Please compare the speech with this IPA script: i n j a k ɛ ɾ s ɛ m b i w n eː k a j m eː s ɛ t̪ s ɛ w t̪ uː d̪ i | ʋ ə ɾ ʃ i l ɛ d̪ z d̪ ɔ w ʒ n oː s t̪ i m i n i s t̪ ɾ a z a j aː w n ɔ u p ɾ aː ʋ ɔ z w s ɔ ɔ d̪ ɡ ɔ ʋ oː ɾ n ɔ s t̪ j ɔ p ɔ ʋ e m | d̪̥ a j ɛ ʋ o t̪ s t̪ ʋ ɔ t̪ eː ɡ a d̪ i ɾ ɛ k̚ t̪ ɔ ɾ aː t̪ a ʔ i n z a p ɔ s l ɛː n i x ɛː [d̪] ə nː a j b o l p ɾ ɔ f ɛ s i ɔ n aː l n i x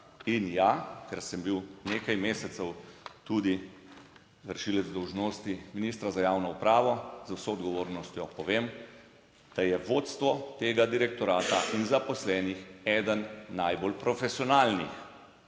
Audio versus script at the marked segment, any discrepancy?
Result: no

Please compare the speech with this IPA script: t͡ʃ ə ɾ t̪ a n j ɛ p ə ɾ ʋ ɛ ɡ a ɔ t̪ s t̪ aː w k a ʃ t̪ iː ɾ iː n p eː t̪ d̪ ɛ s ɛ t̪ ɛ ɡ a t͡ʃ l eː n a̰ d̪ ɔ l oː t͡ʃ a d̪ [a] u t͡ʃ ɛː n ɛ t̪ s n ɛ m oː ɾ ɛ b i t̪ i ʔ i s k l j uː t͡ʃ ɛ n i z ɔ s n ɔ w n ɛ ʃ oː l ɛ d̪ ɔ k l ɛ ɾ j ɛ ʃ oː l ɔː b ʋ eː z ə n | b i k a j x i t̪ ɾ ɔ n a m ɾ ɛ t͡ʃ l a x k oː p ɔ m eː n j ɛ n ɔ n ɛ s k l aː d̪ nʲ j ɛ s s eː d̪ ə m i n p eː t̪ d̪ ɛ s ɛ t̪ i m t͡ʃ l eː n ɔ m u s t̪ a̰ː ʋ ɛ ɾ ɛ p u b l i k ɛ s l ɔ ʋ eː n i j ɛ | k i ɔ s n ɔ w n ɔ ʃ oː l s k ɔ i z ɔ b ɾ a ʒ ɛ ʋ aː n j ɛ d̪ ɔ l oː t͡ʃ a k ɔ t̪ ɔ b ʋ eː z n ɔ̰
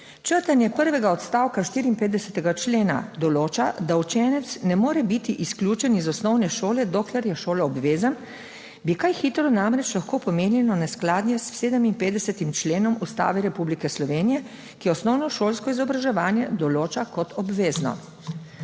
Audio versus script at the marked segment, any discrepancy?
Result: no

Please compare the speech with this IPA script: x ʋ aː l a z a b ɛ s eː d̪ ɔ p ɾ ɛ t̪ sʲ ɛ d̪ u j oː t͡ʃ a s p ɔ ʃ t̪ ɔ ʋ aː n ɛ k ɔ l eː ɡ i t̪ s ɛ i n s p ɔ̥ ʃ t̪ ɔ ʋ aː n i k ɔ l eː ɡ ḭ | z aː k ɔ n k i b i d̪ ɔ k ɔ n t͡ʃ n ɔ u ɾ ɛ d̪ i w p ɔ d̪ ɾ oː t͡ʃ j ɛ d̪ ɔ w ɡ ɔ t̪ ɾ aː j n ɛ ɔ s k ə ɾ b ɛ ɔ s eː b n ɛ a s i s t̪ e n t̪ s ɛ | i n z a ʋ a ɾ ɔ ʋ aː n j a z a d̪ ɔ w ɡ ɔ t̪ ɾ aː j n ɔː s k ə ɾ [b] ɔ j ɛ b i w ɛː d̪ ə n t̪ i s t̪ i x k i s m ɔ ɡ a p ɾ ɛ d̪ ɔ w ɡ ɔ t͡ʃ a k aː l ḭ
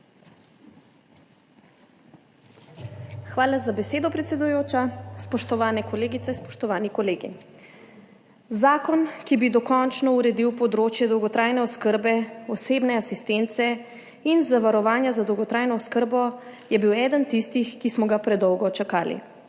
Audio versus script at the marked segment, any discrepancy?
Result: no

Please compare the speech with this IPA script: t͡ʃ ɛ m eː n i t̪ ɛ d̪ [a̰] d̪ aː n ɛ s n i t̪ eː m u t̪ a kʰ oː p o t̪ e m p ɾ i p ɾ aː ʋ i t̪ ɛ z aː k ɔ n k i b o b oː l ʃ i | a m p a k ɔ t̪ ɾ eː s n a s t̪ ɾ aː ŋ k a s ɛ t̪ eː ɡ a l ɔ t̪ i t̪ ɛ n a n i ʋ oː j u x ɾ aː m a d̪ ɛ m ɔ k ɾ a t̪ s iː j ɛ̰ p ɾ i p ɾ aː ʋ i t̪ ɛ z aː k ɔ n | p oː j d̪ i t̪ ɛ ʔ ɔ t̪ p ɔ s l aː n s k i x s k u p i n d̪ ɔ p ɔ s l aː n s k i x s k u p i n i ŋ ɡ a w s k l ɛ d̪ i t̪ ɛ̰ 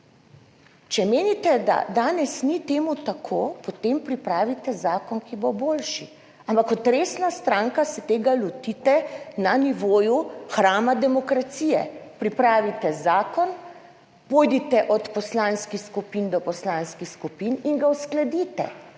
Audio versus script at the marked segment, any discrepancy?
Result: no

